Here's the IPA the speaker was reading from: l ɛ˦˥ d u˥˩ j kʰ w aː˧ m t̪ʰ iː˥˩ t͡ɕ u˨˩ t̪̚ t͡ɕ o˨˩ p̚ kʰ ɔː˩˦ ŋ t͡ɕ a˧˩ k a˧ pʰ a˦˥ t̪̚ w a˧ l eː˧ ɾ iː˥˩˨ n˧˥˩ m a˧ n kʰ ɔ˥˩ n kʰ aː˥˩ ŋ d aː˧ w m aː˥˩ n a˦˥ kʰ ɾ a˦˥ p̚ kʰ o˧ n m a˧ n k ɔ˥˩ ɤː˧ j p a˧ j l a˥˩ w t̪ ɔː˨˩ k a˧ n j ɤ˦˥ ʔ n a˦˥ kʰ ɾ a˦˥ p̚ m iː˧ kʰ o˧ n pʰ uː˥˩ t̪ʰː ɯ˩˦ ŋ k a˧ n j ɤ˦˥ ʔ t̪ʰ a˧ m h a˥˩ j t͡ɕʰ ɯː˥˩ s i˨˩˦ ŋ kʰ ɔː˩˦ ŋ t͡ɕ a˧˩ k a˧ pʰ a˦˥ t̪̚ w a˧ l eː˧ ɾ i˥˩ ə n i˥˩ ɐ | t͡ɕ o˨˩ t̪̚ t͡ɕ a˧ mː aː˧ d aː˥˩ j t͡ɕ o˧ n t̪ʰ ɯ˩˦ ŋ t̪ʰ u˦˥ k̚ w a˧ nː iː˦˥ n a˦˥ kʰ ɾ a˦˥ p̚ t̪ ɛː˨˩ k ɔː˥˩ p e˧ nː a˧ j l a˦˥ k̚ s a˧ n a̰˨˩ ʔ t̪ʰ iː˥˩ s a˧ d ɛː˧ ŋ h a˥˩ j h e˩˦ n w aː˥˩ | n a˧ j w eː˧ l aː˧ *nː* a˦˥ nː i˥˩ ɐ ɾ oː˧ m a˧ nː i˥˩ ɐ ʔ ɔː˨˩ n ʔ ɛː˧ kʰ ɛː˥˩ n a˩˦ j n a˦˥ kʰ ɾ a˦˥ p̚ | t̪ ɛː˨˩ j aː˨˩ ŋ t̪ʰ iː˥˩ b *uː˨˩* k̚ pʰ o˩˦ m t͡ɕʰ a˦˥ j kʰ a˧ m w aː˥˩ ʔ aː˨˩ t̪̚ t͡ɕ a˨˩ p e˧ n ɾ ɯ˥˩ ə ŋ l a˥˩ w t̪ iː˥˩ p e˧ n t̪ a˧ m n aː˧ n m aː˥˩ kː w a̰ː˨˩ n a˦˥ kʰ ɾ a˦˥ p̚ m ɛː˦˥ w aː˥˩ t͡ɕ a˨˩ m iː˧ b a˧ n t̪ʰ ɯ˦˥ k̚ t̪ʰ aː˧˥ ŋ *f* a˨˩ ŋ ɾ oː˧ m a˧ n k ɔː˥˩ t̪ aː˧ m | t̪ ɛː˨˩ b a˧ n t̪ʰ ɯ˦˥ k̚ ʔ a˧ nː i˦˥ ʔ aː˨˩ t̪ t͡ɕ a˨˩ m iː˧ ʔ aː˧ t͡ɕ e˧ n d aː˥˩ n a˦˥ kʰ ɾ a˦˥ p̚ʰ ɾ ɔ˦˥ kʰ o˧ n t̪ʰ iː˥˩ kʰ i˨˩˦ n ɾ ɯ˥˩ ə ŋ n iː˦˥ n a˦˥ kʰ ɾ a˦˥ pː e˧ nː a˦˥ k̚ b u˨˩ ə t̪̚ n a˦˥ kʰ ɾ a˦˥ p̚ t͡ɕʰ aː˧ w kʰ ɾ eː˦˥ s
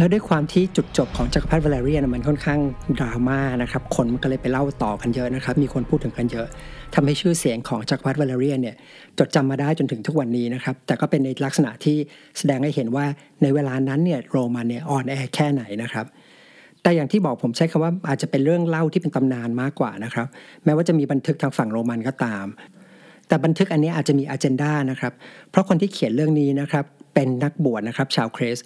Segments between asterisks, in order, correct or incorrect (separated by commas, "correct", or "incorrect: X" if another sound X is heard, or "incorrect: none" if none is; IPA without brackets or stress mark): incorrect: n, incorrect: ɔː˨˩, correct